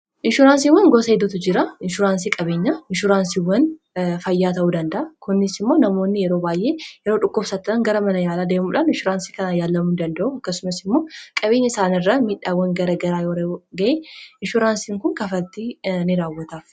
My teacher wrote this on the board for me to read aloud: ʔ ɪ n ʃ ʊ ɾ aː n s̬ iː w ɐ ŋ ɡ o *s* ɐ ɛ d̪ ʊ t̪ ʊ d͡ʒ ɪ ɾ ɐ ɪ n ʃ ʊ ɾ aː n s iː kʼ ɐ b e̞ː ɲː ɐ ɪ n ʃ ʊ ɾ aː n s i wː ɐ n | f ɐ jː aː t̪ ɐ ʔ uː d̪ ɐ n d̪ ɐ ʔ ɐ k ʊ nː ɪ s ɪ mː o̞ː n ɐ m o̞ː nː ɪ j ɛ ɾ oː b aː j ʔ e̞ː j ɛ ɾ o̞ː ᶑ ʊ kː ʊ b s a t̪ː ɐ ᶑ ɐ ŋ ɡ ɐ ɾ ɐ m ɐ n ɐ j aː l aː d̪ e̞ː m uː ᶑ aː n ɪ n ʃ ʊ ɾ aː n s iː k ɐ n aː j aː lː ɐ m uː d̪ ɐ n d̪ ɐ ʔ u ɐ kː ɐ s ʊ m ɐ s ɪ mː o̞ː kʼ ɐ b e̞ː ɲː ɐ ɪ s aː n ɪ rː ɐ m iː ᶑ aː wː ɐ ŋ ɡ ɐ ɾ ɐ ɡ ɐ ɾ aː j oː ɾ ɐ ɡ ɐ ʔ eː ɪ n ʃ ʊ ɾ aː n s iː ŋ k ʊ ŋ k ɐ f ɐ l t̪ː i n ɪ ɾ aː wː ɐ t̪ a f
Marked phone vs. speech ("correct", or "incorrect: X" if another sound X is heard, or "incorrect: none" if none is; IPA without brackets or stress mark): correct